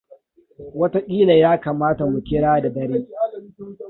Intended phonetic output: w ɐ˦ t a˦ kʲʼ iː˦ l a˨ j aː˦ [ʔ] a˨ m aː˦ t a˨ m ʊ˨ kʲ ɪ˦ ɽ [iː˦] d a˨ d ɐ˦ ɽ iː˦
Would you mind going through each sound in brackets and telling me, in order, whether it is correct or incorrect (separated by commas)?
incorrect, incorrect